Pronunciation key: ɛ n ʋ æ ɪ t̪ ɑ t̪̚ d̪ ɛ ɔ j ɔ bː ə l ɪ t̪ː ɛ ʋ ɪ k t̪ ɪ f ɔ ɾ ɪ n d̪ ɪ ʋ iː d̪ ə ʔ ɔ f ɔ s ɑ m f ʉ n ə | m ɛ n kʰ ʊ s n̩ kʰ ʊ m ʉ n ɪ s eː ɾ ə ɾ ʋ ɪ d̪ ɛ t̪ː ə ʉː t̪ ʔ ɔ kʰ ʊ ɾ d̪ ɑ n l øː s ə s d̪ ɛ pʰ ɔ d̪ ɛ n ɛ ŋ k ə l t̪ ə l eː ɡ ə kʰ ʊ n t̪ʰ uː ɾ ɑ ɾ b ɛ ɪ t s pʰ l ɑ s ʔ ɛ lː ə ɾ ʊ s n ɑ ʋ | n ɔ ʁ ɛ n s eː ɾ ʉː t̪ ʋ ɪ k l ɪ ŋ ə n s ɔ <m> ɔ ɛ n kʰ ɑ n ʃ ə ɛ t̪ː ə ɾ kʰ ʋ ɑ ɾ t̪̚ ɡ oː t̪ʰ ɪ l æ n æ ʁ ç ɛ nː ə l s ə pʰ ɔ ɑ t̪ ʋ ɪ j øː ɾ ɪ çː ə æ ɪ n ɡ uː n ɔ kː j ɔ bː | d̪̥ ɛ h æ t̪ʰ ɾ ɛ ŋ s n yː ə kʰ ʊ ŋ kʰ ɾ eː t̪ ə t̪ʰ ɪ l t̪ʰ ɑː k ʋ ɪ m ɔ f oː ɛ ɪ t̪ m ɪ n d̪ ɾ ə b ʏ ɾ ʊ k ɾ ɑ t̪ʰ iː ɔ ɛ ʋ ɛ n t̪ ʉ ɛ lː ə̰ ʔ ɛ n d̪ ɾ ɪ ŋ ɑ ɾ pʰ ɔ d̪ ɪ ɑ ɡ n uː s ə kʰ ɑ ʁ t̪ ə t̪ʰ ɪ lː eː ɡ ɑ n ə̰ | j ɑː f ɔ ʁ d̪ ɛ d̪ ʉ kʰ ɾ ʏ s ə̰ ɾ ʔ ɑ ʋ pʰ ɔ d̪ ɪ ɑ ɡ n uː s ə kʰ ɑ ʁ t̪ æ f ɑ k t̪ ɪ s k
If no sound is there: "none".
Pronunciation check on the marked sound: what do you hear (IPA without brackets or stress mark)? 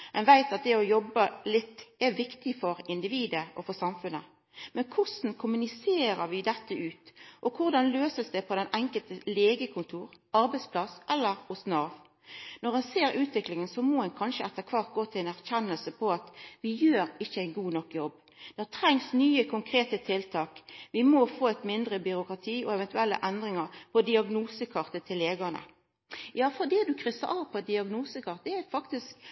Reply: m